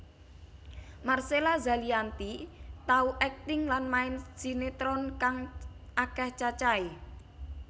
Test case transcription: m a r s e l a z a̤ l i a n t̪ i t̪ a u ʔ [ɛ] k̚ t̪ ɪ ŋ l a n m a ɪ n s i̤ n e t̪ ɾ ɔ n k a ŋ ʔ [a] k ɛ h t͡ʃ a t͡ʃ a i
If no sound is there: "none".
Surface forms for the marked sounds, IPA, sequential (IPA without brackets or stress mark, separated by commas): ɛ, a